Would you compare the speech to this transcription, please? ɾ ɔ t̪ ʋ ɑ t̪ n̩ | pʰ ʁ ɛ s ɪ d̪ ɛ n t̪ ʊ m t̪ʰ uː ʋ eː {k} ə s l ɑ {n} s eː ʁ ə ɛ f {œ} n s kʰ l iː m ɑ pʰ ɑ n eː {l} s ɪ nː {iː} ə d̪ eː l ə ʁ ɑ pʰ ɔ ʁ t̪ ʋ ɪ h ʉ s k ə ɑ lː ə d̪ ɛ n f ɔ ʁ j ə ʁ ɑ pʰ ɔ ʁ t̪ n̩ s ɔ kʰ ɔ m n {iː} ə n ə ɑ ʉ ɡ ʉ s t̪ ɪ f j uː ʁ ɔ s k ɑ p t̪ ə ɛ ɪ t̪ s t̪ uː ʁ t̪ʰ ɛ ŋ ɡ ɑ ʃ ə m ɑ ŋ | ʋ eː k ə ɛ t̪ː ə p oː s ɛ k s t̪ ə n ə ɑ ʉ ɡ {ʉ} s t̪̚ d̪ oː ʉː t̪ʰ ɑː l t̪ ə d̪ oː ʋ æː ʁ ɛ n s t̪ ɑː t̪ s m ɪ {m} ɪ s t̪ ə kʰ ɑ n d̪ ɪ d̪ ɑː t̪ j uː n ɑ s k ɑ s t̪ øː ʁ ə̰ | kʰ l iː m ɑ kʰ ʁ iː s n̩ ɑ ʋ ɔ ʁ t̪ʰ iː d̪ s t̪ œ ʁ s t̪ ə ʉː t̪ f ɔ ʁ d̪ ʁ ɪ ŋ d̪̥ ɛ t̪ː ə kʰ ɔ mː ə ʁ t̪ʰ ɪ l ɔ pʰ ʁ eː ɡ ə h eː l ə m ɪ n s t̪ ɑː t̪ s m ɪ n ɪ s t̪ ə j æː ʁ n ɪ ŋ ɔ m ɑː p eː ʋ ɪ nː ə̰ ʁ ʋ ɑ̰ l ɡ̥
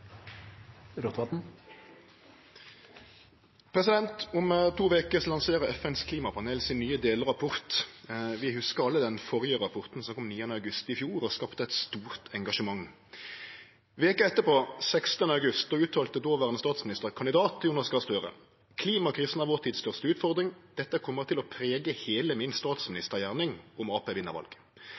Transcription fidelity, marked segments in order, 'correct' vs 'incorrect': correct, incorrect: ŋ, incorrect: ɛ, correct, incorrect: yː, correct, correct, incorrect: n

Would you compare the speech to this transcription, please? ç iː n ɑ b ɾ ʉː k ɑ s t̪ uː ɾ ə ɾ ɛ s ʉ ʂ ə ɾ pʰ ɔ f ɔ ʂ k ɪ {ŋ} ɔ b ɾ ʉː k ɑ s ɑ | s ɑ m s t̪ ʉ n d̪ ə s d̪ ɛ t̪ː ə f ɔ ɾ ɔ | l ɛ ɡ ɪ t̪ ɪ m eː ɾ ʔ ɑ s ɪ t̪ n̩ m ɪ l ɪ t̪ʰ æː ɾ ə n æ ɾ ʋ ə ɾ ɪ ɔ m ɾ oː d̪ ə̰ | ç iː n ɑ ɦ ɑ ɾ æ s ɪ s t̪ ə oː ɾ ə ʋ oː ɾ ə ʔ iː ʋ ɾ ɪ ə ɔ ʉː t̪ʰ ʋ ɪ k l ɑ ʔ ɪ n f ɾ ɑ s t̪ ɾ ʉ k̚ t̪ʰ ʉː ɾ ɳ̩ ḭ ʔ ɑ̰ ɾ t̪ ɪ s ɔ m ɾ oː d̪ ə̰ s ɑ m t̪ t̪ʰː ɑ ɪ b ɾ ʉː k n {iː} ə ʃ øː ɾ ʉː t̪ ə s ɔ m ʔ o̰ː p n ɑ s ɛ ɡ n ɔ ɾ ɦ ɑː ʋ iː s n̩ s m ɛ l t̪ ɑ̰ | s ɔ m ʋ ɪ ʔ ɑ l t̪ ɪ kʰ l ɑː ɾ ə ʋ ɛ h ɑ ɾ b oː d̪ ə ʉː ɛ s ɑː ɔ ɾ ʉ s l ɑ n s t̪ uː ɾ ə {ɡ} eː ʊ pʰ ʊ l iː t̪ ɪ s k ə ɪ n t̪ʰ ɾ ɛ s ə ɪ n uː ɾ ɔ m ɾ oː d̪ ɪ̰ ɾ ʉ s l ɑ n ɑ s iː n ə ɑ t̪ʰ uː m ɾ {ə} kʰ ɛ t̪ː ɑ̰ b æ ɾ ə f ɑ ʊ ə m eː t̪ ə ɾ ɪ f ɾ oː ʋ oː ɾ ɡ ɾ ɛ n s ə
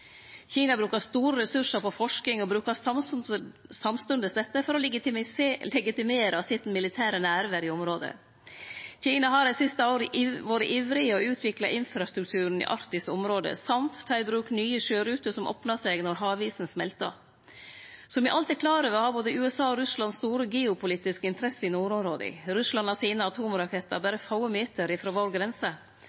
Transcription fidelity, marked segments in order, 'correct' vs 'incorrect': correct, incorrect: yː, correct, incorrect: ɑ

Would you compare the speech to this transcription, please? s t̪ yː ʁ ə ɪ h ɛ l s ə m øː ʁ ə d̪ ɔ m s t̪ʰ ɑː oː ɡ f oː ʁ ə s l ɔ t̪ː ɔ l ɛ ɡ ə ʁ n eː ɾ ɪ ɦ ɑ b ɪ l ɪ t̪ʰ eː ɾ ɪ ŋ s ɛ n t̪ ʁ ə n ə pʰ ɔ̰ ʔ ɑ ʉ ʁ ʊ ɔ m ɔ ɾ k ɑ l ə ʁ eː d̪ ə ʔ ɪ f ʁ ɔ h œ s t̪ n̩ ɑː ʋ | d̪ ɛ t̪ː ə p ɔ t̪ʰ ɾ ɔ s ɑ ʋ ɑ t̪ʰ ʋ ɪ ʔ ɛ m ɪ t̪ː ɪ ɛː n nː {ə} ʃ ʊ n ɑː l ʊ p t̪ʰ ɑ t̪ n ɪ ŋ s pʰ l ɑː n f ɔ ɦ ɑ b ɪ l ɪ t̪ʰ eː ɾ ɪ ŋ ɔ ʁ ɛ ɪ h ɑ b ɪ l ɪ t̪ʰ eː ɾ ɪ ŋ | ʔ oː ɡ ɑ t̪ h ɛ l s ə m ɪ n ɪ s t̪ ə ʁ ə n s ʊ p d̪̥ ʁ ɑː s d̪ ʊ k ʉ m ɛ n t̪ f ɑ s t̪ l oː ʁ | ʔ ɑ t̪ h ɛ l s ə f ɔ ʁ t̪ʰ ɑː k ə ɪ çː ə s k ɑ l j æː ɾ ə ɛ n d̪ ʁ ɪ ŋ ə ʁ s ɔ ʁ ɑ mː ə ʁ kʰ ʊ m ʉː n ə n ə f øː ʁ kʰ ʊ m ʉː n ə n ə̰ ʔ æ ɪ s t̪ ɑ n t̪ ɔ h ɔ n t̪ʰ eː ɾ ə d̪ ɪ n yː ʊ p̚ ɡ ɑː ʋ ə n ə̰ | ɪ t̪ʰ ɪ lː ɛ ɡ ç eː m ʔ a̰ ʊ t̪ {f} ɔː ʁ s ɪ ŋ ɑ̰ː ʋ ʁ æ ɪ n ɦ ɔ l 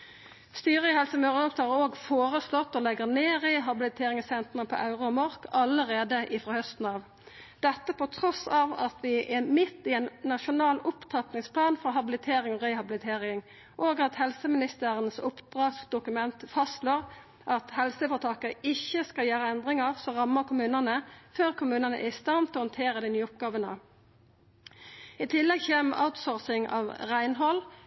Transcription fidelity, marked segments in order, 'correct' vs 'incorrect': incorrect: ɑ, incorrect: s

